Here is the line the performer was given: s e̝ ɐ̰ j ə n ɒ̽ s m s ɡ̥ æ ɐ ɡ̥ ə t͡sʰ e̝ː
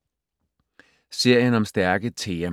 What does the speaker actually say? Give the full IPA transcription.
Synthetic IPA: s e̝ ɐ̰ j ə n ɒ̽ m s d̥ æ ɐ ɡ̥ ə t͡sʰ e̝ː